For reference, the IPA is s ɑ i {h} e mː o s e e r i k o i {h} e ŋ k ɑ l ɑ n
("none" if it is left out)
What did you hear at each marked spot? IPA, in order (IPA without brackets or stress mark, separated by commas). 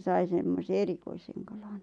s, s